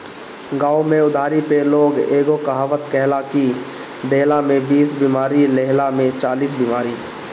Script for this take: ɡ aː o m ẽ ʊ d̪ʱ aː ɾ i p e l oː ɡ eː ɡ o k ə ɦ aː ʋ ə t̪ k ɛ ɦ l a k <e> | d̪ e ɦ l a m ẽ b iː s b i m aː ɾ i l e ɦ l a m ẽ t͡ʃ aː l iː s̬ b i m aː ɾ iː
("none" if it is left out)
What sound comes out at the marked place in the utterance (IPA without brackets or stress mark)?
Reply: i